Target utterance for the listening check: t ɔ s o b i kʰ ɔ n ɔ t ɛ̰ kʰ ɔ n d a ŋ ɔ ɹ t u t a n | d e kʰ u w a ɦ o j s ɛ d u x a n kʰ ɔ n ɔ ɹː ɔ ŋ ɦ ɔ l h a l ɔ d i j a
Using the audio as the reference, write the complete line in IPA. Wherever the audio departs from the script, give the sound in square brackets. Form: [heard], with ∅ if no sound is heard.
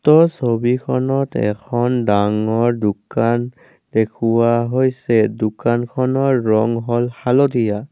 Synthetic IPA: t ɔ s o b i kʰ ɔ n ɔ t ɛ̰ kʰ ɔ n d a ŋ ɔ ɹ [d] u [k] a n | d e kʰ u w a ɦ o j s ɛ d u [k] a n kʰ ɔ n ɔ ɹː ɔ ŋ ɦ ɔ l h a l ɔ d i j a